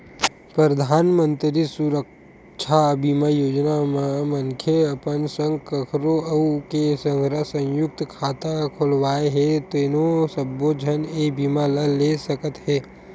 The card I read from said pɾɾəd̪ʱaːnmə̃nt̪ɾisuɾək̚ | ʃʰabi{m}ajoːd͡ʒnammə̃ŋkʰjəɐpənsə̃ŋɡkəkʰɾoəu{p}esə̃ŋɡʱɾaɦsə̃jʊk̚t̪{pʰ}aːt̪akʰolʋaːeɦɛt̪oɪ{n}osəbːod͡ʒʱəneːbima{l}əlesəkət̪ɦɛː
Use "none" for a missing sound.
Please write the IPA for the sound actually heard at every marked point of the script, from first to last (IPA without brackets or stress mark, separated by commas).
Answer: m, k, kʰ, n, l